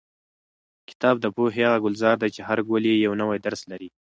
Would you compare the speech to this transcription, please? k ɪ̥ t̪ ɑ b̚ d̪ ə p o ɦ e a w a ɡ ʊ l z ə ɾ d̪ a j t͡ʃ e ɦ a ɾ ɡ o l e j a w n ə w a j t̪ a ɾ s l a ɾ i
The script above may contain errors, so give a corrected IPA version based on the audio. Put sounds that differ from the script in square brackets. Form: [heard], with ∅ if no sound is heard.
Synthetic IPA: k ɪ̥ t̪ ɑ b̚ d̪ ə p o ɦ e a [ɣ] a ɡ ʊ l z [ɑ] ɾ d̪ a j t͡ʃ e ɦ a ɾ ɡ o l e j a w n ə w a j [d̪] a ɾ s l a ɾ i